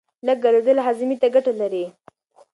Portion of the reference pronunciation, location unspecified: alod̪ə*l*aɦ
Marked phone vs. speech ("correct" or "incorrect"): correct